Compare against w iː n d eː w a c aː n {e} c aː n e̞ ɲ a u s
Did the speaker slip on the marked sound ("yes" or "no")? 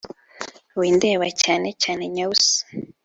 no